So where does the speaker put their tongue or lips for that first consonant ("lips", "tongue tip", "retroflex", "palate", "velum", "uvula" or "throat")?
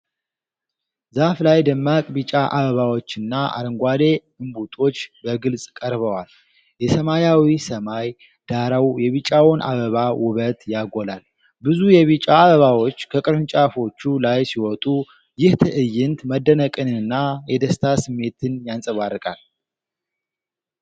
tongue tip